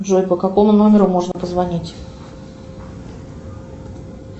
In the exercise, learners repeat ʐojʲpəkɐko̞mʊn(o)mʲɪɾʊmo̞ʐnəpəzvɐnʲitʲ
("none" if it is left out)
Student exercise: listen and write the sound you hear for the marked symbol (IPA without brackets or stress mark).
o